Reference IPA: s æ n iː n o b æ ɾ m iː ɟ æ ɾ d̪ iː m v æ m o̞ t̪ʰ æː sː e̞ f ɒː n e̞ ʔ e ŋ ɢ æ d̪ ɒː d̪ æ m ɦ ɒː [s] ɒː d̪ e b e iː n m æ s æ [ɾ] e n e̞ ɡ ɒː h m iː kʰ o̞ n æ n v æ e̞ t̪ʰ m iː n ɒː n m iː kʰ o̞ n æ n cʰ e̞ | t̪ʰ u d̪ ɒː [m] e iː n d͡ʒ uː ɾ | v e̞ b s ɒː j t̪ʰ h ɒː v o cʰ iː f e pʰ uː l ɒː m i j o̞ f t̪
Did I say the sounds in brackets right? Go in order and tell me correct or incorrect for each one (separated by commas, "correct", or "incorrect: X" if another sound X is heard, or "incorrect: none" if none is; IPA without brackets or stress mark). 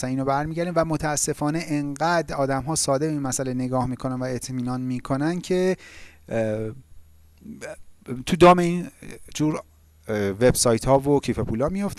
correct, incorrect: l, correct